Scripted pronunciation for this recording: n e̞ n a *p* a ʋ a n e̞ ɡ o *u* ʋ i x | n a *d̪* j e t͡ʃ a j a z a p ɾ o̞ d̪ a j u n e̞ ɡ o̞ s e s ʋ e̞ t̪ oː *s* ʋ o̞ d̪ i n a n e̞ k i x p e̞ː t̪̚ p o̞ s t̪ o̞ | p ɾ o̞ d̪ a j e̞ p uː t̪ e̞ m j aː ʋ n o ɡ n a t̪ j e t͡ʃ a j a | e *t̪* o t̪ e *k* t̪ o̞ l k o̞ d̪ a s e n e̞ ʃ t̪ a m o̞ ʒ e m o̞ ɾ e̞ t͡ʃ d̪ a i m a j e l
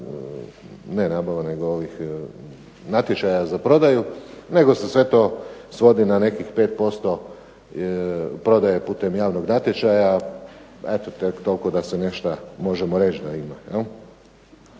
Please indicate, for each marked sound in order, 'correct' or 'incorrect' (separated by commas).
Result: incorrect, incorrect, incorrect, correct, correct, correct